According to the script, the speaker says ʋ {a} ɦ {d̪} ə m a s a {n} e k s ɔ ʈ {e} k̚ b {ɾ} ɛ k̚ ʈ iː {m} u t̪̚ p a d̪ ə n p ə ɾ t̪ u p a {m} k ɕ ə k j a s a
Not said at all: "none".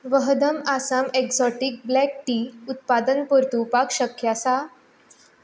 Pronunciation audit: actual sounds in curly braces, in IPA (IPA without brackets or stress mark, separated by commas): ə, d̪, m, i, l, none, none